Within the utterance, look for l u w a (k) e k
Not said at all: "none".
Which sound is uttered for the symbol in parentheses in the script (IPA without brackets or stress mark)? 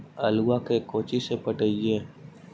k